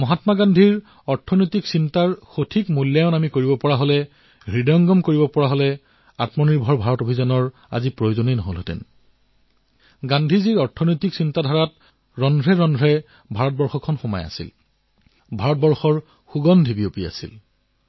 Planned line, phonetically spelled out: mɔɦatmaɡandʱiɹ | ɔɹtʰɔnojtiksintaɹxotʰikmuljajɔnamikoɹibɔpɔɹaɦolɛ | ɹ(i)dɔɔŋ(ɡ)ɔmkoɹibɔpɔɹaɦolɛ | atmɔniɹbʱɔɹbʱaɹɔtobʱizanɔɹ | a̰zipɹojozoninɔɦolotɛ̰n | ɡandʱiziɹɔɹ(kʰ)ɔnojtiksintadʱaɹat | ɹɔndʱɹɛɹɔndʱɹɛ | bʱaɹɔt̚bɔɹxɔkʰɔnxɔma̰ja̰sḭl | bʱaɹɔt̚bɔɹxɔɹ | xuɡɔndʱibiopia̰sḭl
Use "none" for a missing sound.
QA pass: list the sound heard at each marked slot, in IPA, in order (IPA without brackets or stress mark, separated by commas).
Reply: i, ɡ, tʰ